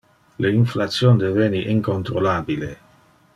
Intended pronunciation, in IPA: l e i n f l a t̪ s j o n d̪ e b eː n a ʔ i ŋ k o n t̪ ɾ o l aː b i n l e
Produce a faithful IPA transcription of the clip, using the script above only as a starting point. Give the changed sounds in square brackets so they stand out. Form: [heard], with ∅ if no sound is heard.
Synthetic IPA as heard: l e i n f l a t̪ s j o n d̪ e [v] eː n [i] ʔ i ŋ k o n t̪ ɾ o l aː b i [∅] l e

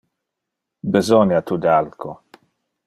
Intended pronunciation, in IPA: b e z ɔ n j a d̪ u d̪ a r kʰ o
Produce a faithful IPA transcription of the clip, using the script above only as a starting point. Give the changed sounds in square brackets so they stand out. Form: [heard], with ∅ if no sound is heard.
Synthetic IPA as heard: b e z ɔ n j a [t̪] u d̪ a [l] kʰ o

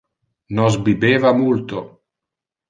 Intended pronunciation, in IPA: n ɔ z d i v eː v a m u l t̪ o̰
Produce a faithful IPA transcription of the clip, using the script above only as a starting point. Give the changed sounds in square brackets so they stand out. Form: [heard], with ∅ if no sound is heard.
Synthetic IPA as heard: n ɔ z [b] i [b] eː v a m u l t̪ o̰

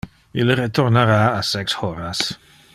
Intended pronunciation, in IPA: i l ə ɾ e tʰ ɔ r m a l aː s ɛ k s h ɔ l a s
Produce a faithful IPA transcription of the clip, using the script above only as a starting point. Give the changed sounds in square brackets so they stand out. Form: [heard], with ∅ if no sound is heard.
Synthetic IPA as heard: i l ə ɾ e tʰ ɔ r [n] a [ɾ] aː s ɛ k s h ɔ [ɾ] a s

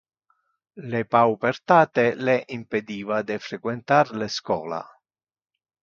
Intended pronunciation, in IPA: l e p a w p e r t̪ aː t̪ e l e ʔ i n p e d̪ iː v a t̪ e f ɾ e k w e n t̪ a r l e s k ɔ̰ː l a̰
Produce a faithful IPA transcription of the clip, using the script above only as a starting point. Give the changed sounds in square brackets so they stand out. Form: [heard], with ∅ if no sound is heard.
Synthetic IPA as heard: l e p a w p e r t̪ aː t̪ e l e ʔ i [m] p e d̪ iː v a [d̪] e f ɾ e k w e n t̪ a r l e s k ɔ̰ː l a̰

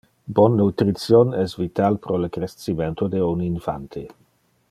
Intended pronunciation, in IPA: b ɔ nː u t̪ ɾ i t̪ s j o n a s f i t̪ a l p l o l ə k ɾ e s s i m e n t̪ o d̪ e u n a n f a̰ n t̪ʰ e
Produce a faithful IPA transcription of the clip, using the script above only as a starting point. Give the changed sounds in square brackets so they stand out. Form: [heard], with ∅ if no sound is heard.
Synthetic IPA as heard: b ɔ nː u t̪ ɾ i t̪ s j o n [ɛ] s [v] i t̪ a l p [ɾ] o l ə k ɾ e s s i m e n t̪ o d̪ e u n [i] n f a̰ n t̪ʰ e

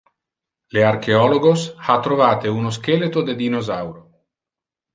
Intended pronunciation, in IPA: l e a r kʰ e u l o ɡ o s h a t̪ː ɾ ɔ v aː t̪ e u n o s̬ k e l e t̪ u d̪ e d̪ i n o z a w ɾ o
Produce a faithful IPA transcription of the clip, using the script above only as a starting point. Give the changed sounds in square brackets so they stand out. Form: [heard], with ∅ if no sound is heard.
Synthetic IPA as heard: l e a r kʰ e [ɔ] l o ɡ o s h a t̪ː ɾ [o] v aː t̪ e u n o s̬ k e l e t̪ [o] d̪ e d̪ i n o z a w ɾ o

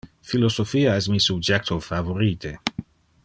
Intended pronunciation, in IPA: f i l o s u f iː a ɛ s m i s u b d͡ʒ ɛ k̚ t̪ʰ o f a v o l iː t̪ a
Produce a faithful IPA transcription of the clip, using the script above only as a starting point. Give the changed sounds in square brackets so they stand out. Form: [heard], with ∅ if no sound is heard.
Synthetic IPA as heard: f i l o s [o] f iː a ɛ s m i s u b d͡ʒ ɛ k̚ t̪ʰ o f a v o [ɾ] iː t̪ [e]

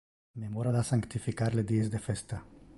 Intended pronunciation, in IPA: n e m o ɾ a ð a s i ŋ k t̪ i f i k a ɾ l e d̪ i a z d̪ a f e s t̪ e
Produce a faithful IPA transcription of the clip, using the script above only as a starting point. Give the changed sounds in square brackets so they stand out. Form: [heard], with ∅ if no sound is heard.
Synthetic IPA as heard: [m] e m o ɾ a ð a s [a] ŋ k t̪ i f i k a ɾ l e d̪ i [e] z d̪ [e] f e s t̪ [a]

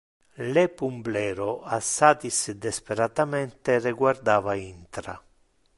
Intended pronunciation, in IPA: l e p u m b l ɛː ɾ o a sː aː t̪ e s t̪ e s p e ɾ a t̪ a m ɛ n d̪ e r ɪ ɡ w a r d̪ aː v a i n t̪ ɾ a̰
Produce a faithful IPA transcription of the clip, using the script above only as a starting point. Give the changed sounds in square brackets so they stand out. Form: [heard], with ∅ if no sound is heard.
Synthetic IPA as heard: l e p u m b l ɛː ɾ o a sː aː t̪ [i] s [d̪] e s p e ɾ a t̪ a m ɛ n [t̪] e r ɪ ɡ w a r d̪ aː v a i n t̪ ɾ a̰

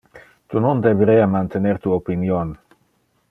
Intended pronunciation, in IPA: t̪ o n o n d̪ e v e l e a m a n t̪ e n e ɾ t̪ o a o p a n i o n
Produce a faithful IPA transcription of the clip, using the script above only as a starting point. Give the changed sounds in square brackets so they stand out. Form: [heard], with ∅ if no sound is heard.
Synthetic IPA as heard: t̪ [u] n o n d̪ e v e [ɾ] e a m a n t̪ e n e ɾ t̪ [u] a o p [i] n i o n

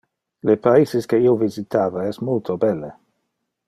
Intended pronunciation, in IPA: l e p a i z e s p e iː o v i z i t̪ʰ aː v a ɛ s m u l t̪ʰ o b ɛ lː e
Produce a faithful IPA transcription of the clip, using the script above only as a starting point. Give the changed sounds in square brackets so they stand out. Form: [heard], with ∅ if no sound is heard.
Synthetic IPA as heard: l e p a i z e s [k] e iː o v i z i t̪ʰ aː v a ɛ s m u l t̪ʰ o b ɛ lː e

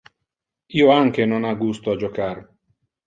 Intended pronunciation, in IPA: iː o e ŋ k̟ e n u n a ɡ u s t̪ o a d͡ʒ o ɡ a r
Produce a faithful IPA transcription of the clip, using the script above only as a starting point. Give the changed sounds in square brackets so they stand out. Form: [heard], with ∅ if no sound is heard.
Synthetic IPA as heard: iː o [a] ŋ k̟ e n [o] n a ɡ u s t̪ o a d͡ʒ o [k] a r

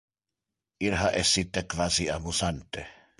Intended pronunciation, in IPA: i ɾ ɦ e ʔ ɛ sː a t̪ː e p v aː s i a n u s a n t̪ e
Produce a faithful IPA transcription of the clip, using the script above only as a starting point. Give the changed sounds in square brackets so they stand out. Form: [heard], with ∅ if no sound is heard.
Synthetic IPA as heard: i ɾ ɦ [a] ʔ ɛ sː [i] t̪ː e [k] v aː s i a [m] u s a n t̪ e

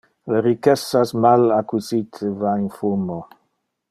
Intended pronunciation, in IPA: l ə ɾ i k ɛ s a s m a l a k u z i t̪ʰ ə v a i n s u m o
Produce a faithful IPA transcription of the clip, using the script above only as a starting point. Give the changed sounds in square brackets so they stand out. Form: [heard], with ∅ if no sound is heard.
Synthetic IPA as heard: l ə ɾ i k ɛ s a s m a l a k u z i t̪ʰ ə v a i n [f] u m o

